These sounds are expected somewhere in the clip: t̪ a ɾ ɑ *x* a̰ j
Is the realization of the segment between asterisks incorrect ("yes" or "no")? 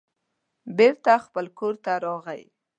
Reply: yes